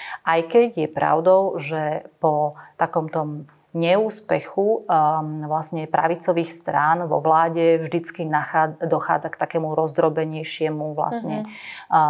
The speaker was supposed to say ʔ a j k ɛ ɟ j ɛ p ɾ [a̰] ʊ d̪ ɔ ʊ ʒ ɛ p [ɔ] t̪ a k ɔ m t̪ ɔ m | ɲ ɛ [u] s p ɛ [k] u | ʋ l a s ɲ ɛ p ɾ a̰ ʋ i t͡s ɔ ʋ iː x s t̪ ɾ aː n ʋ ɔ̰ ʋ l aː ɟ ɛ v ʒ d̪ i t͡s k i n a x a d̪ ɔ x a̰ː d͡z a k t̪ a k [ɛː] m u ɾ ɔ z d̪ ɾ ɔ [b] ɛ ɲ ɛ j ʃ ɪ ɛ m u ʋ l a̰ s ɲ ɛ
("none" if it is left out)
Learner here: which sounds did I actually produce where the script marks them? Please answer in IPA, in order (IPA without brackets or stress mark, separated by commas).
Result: a̰, ɔ, uː, x, ɛː, b